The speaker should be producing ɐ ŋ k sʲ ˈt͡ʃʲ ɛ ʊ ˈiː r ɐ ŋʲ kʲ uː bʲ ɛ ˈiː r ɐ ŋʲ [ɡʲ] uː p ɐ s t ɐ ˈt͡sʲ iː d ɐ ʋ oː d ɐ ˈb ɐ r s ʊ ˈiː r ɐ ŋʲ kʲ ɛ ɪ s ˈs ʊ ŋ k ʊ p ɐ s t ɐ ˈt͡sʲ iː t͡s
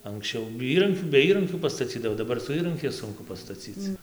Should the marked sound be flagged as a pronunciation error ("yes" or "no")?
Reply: yes